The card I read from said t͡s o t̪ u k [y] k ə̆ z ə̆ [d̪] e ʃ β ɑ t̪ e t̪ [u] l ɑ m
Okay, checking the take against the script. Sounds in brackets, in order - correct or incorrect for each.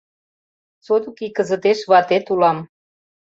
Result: incorrect, incorrect, correct

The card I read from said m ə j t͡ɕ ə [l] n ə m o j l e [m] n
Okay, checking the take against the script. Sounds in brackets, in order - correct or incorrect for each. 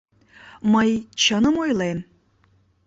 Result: incorrect, incorrect

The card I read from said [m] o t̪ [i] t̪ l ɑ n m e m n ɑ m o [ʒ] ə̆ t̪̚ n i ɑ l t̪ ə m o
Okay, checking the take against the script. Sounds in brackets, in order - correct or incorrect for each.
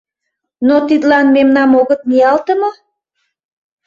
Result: incorrect, correct, incorrect

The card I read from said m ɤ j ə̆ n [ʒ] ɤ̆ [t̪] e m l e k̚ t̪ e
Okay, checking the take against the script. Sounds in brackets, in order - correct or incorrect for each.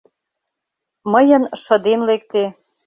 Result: incorrect, incorrect

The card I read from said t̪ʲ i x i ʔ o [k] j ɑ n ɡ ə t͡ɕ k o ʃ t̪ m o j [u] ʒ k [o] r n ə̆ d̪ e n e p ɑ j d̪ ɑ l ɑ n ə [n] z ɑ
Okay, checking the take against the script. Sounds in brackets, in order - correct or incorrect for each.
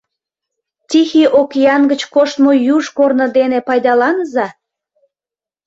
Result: correct, correct, correct, incorrect

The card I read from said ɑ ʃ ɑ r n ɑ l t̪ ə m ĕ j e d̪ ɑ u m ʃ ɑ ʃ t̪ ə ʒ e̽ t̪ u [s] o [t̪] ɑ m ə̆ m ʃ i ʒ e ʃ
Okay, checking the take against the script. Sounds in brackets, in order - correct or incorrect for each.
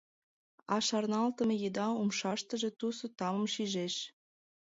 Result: correct, correct

